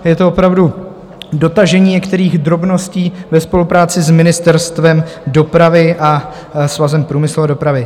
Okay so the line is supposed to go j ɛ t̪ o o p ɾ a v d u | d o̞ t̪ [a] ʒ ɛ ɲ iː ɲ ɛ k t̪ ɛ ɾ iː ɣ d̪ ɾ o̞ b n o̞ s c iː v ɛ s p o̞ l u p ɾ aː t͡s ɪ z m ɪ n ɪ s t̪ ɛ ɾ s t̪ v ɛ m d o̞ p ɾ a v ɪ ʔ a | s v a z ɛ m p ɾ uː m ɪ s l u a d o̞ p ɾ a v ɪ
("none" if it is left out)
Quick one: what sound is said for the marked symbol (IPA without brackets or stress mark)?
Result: a